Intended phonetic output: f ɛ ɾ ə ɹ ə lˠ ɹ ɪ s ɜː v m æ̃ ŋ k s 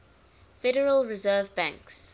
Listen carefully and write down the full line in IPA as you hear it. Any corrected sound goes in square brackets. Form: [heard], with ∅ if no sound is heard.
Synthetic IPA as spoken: f ɛ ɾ ə ɹ ə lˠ ɹ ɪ [z] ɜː v [b] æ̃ ŋ k s